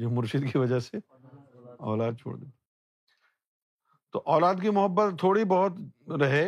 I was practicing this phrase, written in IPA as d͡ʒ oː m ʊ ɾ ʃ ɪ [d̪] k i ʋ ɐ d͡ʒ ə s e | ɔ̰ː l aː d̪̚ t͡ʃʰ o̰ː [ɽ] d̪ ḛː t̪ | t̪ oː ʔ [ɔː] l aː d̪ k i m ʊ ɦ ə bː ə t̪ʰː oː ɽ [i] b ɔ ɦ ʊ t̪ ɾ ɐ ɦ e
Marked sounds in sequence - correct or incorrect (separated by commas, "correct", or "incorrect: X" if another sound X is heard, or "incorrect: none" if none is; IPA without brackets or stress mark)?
correct, correct, correct, correct